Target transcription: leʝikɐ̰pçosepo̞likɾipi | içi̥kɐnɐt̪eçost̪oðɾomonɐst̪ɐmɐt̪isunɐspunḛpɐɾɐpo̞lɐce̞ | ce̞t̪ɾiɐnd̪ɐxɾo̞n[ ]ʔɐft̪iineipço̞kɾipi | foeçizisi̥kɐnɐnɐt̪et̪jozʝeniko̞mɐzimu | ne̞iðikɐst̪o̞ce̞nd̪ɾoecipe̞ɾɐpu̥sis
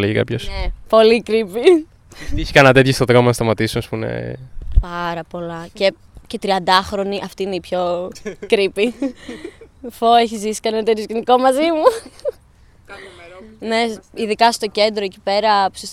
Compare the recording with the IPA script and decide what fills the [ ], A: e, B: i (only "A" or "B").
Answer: B